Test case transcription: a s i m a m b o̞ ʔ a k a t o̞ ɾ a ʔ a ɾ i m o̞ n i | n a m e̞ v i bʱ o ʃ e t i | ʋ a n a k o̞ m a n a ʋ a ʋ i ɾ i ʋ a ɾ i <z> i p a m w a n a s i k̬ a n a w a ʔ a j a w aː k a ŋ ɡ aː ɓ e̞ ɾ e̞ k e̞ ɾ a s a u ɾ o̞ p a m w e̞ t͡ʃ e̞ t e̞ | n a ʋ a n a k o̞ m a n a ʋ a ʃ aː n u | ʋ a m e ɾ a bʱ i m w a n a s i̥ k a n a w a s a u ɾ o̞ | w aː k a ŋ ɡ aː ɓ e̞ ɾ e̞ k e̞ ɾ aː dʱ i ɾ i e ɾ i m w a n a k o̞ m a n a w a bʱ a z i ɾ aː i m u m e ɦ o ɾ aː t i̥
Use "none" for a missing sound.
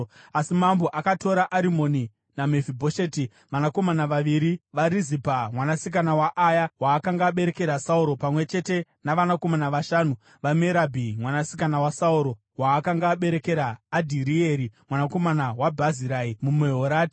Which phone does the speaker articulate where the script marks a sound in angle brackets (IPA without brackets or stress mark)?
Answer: z